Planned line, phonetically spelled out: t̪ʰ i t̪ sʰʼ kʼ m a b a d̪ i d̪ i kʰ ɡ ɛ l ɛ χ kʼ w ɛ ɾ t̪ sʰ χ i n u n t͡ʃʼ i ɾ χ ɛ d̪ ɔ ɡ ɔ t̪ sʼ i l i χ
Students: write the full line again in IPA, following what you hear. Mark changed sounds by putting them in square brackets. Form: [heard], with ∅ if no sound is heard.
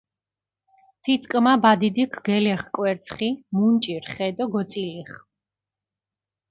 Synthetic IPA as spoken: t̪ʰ i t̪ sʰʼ kʼ m a b a d̪ i d̪ i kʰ ɡ ɛ l ɛ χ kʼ w ɛ ɾ t̪ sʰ χ i [m] u n t͡ʃʼ i ɾ χ ɛ d̪ ɔ ɡ ɔ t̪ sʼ i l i χ